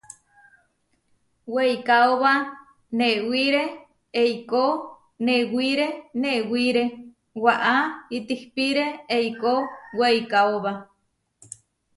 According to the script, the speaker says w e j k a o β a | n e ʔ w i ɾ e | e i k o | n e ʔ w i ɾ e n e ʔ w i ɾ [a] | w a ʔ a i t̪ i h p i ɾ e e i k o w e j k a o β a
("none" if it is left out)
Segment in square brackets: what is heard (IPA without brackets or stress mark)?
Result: e